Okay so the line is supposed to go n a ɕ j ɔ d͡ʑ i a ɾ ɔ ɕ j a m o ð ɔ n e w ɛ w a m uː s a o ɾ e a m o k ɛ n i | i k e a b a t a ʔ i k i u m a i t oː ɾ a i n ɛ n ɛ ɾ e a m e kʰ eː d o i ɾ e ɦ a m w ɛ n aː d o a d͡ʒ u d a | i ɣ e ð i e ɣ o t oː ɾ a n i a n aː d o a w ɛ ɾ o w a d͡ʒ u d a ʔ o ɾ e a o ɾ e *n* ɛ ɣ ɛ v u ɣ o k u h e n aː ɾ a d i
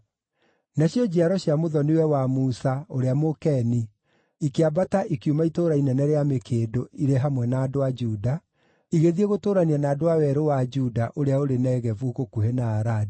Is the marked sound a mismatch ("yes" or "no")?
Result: no